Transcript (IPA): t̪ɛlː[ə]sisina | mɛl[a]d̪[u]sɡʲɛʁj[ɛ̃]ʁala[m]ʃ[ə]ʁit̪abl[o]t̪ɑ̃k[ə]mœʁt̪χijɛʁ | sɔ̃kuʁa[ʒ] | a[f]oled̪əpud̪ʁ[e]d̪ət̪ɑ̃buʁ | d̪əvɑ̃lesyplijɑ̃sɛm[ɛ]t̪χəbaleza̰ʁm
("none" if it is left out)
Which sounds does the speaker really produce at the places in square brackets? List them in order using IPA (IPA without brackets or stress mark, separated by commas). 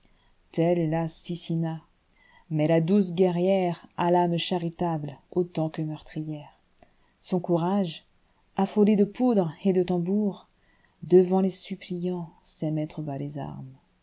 a, a, u, ɛ, m, a, o, ə, ʒ, f, e, ɛ